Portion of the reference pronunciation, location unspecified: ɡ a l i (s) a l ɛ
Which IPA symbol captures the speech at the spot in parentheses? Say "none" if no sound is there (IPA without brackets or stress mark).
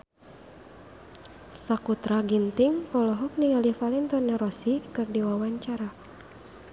f